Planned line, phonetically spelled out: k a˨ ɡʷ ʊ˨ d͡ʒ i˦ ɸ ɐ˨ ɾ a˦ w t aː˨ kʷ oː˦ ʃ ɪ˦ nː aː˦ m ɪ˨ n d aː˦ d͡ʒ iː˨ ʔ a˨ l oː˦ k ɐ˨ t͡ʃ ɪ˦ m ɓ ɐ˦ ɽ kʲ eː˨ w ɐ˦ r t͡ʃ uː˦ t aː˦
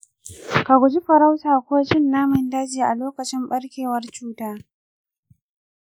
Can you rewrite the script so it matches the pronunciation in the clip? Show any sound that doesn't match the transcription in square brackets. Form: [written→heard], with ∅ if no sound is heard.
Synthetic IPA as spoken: k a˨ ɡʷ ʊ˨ d͡ʒ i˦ ɸ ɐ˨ ɾ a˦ w t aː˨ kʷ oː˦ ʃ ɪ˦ nː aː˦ m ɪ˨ n d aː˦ d͡ʒ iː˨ ʔ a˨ l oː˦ k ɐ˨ t͡ʃ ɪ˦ m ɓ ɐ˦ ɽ kʲ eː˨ w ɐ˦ r t͡ʃ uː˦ t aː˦